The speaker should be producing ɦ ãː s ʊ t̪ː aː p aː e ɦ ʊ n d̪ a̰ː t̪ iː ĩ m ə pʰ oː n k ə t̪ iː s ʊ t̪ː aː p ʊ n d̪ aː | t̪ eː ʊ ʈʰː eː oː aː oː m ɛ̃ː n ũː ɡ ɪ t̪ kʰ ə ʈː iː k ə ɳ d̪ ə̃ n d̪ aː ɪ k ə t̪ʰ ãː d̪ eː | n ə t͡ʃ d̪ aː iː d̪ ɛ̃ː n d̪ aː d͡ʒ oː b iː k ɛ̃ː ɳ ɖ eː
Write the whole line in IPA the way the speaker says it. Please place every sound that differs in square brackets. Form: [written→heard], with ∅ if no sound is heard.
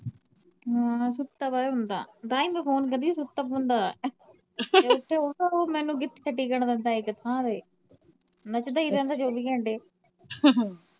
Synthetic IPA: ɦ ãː s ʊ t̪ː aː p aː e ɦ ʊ n d̪ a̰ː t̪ [iː→aː] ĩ m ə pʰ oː n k ə [t̪→d̪] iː s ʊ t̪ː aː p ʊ n d̪ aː | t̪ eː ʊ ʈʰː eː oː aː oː m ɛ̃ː n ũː ɡ ɪ t̪ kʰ ə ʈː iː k ə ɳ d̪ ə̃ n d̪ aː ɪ k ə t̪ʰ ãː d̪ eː | n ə t͡ʃ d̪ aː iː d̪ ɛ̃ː n d̪ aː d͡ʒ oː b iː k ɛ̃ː ɳ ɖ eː